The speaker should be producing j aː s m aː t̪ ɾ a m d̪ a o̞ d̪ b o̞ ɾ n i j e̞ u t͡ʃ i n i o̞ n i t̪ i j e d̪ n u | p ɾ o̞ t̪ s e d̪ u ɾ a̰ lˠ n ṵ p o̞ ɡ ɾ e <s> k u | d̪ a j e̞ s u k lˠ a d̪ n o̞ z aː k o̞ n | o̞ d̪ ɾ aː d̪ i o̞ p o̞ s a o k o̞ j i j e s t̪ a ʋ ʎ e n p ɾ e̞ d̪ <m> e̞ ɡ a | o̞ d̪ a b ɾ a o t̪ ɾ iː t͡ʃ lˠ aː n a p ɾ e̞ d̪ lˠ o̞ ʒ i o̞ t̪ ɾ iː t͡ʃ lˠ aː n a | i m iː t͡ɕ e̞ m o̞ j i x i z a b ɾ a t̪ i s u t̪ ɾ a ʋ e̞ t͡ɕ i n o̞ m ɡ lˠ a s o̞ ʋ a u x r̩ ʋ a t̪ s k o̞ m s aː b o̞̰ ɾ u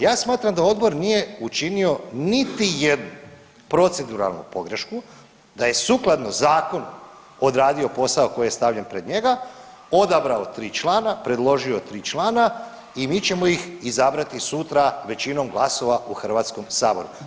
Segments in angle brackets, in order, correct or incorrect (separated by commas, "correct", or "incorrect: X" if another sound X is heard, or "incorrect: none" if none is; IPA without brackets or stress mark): incorrect: ʃ, incorrect: ɲ